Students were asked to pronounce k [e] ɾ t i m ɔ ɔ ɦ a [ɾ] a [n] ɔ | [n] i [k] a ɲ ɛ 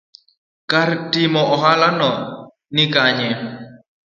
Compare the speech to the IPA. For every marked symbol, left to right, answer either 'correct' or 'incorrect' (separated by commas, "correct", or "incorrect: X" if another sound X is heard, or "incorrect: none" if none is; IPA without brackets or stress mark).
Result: incorrect: a, incorrect: l, correct, correct, correct